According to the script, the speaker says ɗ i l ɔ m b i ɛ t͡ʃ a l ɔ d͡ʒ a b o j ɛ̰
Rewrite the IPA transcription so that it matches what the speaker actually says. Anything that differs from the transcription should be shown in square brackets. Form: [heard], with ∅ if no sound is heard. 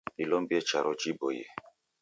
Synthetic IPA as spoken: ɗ i l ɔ m b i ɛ t͡ʃ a [ɾ] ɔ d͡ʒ [i] b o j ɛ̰